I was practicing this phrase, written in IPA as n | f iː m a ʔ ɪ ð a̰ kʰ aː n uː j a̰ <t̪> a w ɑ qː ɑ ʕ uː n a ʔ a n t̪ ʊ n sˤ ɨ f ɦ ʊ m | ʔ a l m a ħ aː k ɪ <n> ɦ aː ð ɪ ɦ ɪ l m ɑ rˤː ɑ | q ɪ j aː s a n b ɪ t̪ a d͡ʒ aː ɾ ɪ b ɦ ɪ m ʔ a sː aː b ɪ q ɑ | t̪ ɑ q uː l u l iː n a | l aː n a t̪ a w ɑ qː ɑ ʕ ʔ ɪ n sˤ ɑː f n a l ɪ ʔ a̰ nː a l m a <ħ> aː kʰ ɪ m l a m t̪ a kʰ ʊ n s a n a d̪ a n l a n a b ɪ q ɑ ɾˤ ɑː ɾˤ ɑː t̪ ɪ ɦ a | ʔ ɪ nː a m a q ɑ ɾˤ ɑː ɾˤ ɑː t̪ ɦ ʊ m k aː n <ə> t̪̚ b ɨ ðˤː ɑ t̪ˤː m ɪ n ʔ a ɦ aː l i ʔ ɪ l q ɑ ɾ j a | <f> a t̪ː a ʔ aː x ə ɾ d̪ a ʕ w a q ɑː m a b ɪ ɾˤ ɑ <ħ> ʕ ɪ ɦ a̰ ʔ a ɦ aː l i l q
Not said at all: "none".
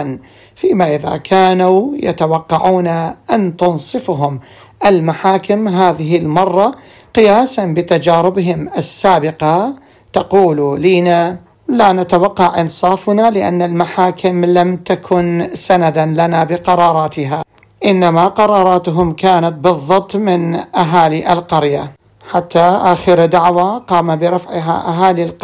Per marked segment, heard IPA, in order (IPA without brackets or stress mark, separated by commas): t̪, m, ħ, a, ħ, f